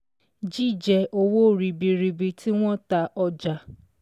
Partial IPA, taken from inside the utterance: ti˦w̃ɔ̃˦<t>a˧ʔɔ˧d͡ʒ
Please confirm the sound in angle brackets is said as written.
yes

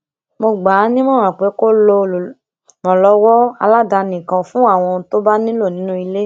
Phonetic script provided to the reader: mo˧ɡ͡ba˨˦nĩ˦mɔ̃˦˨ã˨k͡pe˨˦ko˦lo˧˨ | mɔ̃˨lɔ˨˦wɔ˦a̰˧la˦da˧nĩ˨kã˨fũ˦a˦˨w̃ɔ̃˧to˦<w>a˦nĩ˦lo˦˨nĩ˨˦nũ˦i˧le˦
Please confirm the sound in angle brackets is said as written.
no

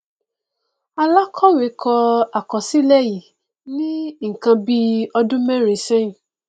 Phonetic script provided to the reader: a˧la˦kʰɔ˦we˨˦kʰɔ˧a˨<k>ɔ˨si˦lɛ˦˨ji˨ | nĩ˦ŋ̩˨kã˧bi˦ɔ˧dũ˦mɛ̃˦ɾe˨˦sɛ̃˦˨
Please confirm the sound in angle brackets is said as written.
yes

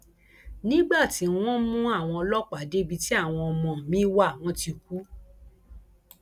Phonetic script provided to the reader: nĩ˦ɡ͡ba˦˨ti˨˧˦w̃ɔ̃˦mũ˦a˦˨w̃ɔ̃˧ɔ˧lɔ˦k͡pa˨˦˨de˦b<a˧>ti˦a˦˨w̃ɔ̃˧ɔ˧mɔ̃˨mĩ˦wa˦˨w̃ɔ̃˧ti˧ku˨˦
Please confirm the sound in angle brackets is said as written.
no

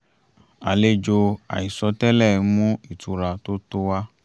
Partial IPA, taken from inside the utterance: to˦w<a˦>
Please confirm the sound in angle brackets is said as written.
yes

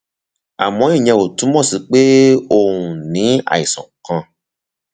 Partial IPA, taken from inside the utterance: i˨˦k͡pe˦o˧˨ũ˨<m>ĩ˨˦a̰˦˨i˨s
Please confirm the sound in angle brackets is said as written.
no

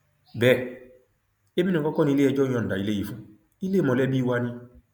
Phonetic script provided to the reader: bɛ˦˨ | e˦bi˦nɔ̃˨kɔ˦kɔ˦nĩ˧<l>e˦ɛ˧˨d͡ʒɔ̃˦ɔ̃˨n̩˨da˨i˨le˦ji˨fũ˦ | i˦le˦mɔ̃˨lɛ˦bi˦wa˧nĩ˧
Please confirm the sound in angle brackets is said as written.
yes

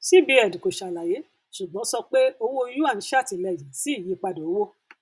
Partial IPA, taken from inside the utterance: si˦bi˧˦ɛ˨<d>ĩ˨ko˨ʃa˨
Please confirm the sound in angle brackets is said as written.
yes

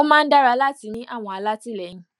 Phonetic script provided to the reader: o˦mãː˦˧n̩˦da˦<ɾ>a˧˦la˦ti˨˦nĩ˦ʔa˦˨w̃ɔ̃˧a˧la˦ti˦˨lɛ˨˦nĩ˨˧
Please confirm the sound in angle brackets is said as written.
yes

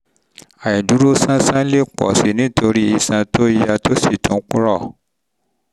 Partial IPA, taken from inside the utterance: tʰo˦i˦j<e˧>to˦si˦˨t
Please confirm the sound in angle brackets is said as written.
no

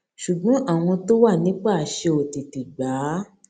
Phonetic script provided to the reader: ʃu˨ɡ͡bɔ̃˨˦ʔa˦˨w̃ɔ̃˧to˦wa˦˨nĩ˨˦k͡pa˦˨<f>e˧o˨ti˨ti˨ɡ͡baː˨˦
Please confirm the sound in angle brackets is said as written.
no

